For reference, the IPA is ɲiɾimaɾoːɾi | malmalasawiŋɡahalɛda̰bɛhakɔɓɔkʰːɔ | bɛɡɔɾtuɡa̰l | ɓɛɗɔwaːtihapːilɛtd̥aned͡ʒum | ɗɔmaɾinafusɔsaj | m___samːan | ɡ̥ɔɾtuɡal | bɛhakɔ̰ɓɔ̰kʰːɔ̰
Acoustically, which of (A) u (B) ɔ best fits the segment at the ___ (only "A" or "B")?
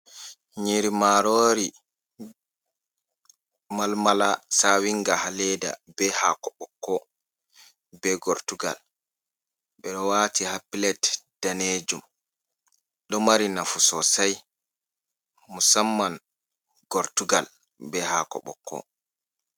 A